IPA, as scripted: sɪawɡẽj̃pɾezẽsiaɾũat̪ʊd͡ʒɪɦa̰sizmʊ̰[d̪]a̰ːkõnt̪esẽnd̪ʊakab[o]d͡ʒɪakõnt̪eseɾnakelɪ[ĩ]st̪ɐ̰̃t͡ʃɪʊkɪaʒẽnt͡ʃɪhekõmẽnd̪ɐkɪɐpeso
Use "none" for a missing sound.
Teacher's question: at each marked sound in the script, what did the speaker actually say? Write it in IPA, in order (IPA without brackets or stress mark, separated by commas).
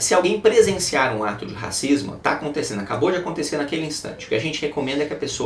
t̪, o, ĩ